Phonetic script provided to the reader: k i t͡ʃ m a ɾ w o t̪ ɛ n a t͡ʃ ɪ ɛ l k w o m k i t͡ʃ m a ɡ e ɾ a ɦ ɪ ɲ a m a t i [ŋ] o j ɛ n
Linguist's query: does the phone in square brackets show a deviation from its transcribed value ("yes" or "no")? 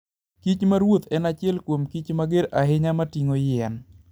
no